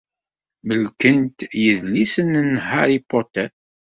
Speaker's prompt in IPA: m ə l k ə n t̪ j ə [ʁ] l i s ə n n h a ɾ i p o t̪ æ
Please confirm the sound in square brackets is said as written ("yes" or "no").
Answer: no